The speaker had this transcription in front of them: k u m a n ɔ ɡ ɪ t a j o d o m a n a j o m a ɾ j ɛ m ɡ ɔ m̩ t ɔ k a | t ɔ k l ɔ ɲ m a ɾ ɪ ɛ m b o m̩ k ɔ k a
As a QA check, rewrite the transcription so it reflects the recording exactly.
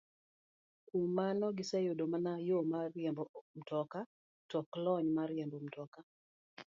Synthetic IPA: k u m a n ɔ ɡ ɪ s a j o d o m a n a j o m a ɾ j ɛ m b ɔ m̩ t ɔ k a | t ɔ k l ɔ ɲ m a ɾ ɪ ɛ m b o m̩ t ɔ k a